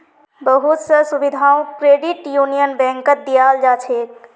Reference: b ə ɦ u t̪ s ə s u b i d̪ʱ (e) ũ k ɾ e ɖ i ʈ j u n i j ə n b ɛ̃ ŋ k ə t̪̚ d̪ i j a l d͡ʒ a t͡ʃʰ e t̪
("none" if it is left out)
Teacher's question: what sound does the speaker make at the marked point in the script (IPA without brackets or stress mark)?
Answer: a